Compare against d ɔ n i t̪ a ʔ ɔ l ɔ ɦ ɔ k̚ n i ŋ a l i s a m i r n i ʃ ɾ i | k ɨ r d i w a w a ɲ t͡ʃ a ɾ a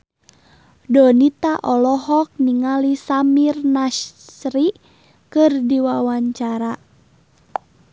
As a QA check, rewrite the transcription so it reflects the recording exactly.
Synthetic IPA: d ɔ n i t̪ a ʔ ɔ l ɔ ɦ ɔ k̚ n i ŋ a l i s a m i r n a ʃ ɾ i | k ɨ r d i w a w a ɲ t͡ʃ a ɾ a